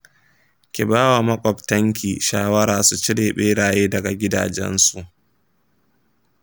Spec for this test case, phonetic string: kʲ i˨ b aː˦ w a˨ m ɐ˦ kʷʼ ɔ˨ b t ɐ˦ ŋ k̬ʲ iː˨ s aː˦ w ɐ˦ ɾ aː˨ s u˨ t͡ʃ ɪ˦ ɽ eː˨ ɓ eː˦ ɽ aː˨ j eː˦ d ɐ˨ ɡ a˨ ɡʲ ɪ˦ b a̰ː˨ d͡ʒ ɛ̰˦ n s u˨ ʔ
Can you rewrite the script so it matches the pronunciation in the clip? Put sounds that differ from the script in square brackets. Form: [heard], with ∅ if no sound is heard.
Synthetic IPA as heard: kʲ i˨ b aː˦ w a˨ m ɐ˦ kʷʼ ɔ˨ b t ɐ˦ ŋ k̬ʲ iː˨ [ʃ] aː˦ w ɐ˦ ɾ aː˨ s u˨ t͡ʃ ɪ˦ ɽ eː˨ ɓ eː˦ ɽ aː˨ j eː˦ d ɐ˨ ɡ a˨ ɡʲ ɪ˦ [d] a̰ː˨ d͡ʒ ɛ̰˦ n s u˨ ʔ